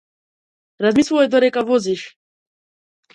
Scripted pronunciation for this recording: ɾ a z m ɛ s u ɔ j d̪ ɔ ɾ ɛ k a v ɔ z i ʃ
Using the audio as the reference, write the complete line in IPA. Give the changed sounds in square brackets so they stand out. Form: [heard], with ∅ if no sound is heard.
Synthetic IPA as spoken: ɾ a z m [i] s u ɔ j d̪ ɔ ɾ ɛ k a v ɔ z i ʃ